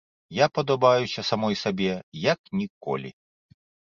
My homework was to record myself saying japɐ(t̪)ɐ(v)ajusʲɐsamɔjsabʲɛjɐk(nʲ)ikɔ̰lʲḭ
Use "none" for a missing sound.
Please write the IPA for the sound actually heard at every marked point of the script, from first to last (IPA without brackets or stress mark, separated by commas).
d̪, b, nʲ